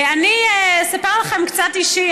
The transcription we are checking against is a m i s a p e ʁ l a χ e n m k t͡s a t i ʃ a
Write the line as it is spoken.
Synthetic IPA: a n i s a p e ʁ l a χ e m k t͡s a t i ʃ i